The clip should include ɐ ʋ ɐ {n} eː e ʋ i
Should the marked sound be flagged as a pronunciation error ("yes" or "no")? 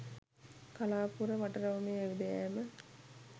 yes